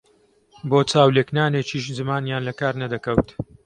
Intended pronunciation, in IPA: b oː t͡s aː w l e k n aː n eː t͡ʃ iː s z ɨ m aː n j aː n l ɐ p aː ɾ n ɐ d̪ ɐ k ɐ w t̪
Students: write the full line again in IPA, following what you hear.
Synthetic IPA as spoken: b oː t͡s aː w l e k n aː n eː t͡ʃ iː ʃ z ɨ m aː n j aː n l ɐ k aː ɾ n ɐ d̪ ɐ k ɐ w t̪